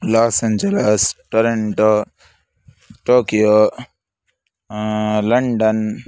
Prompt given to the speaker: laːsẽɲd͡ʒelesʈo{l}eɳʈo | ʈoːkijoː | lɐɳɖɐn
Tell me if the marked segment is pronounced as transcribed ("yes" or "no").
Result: no